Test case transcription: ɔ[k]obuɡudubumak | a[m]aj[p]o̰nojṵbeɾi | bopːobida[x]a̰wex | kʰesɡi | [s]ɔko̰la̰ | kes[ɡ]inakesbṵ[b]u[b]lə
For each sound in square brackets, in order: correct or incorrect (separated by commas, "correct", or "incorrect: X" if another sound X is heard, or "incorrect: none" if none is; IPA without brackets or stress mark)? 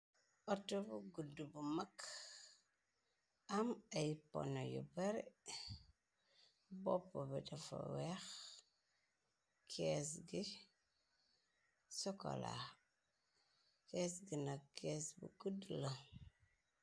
incorrect: t, correct, correct, incorrect: f, correct, correct, incorrect: ɡ, incorrect: d